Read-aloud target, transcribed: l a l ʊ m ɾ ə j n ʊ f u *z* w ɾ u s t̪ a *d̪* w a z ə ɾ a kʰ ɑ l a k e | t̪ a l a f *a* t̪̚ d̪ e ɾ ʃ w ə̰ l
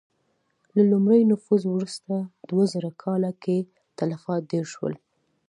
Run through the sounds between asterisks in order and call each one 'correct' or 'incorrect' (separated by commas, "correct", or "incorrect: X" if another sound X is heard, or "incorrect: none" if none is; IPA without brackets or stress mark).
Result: correct, correct, incorrect: ɑ